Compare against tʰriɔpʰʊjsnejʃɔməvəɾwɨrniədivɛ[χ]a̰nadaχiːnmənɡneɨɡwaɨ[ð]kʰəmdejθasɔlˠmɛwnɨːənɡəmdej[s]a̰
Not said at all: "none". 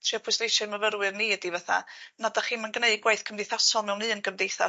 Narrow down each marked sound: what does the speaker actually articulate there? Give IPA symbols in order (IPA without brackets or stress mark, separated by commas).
θ, θ, θ